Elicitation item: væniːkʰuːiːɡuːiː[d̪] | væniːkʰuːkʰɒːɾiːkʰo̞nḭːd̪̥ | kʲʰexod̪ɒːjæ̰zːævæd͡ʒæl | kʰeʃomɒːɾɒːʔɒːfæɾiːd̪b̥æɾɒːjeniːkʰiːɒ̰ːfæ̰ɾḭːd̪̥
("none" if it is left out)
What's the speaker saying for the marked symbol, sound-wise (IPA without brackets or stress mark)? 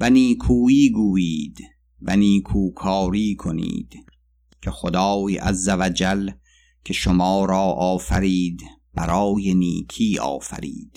d̪